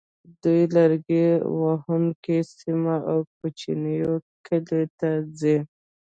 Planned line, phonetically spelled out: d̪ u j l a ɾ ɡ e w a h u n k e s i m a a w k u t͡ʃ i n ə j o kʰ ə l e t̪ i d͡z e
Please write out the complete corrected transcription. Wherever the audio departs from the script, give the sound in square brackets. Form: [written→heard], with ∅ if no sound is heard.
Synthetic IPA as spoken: d̪ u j l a ɾ ɡ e w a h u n k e s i m a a w k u t͡ʃ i n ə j o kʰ ə l e t̪ [i→a] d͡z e